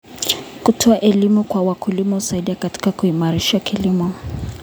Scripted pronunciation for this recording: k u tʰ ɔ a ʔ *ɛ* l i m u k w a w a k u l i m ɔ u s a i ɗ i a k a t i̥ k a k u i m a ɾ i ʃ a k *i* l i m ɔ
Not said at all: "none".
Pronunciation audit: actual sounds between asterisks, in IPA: ɛ, i

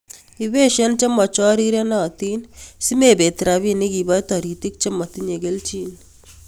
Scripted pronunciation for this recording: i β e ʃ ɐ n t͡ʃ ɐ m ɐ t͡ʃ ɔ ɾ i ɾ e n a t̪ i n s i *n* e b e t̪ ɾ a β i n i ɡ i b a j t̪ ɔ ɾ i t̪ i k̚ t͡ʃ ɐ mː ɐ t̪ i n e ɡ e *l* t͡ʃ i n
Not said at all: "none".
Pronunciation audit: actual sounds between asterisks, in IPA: m, l

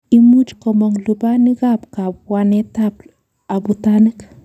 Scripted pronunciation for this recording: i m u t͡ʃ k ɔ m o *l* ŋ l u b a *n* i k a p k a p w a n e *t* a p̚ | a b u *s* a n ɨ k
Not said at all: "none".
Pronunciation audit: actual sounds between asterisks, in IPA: none, n, t, t

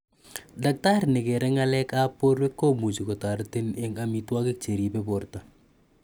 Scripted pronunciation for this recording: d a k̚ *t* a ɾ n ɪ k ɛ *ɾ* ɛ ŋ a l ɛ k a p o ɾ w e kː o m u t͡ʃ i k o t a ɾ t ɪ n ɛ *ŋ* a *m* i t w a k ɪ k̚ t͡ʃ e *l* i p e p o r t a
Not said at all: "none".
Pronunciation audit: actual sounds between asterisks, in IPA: t, ɾ, ŋ, m, ɾ

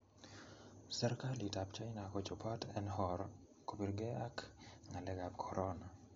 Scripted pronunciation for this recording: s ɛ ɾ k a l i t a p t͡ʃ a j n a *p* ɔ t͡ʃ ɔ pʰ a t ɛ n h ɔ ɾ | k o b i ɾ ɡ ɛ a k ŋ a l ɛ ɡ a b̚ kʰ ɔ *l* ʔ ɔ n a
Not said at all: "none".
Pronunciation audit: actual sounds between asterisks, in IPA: k, ɾ

